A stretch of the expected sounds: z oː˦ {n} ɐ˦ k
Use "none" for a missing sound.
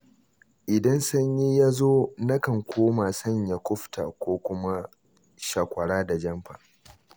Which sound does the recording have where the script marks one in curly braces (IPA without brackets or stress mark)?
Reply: n